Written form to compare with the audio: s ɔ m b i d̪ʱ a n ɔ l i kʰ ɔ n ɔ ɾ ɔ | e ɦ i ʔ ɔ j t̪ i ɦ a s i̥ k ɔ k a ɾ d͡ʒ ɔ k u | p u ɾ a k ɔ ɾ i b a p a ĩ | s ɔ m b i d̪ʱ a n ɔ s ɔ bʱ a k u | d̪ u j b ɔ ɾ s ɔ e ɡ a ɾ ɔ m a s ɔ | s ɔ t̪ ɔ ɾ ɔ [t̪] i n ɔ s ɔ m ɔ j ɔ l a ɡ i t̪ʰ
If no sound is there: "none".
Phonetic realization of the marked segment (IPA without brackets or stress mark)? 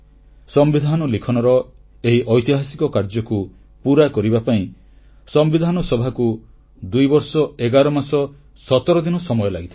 d̪